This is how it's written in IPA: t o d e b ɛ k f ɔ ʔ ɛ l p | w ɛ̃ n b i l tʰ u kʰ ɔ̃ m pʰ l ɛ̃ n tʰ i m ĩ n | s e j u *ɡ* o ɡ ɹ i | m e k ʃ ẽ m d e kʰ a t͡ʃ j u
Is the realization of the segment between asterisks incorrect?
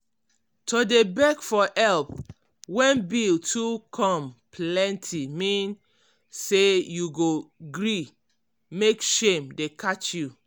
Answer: no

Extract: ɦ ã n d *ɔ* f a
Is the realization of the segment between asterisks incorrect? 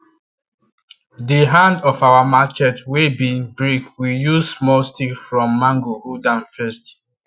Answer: no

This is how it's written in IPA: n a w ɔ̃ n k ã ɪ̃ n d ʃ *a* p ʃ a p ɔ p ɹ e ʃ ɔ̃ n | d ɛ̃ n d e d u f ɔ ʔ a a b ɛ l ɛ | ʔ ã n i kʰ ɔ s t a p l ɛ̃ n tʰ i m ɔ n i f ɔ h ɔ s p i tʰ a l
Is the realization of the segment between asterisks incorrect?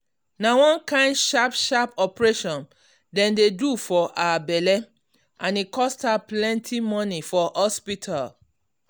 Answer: no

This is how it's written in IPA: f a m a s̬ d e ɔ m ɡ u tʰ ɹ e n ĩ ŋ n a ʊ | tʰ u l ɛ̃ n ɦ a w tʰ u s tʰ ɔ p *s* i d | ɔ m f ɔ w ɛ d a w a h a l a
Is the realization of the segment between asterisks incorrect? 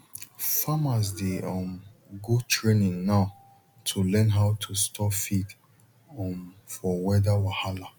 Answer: yes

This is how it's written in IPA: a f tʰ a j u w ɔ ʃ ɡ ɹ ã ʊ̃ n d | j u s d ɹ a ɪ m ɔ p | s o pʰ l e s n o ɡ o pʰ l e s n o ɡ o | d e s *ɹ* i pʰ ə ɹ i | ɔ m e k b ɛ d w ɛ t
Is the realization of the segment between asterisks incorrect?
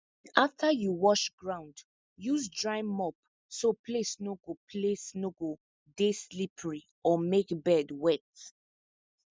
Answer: yes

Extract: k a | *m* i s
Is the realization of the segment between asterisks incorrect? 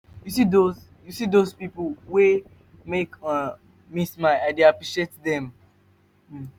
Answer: no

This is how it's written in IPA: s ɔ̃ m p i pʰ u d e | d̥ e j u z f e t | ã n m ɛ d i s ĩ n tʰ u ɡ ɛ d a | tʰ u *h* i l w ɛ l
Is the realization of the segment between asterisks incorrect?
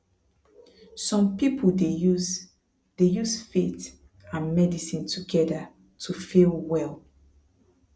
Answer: yes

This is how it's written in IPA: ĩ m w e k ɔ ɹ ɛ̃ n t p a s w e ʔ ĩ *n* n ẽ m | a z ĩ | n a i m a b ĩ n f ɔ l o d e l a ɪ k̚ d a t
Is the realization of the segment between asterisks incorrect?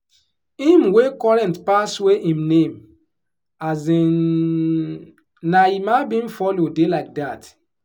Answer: yes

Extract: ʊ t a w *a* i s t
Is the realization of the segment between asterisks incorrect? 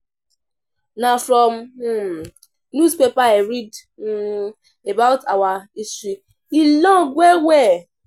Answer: no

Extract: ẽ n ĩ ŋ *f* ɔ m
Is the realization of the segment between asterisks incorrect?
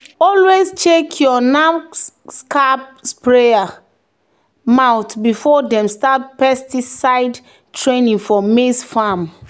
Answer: no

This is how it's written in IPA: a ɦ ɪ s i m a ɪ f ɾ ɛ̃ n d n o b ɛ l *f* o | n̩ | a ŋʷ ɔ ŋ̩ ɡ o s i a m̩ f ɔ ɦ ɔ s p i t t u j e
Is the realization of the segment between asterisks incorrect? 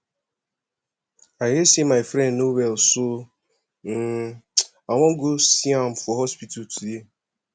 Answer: yes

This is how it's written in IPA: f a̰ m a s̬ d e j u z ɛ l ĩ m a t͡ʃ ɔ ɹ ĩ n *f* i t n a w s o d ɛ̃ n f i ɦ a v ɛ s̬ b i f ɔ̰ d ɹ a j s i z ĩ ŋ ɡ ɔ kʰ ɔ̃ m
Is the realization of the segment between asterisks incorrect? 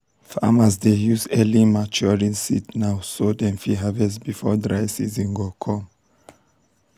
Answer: yes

